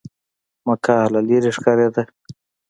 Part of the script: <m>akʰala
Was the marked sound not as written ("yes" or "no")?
no